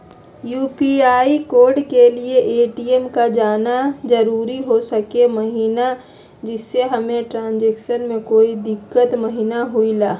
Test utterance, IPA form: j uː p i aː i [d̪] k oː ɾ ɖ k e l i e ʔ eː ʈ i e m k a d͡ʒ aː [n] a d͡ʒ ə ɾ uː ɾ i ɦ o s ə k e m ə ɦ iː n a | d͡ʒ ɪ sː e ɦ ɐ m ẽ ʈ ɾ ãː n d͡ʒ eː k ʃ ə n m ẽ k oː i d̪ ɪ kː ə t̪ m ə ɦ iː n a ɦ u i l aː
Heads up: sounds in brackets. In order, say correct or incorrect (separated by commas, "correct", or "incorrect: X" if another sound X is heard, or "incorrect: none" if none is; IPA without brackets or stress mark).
incorrect: none, correct